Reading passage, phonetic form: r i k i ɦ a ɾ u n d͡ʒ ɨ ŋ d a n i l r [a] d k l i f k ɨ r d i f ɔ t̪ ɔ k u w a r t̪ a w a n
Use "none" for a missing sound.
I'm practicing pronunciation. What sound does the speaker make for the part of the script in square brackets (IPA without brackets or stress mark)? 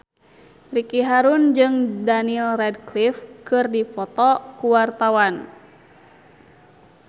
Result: ɛ